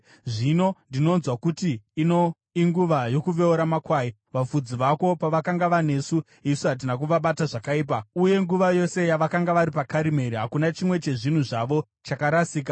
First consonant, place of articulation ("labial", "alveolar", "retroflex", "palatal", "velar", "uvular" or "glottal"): retroflex